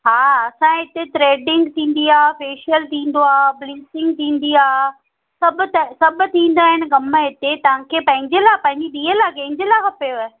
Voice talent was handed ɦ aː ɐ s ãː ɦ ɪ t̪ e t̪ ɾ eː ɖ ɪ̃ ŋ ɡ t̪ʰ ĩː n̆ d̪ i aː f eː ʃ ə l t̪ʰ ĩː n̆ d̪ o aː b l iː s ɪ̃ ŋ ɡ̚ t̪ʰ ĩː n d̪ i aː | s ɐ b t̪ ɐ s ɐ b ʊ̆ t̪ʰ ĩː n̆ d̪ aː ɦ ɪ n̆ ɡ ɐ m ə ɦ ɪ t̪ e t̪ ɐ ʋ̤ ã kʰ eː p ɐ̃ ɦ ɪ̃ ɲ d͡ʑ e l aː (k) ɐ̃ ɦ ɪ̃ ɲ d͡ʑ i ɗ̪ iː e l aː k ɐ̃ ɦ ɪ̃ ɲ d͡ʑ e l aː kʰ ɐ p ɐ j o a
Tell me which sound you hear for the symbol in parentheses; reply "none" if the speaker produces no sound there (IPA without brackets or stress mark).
p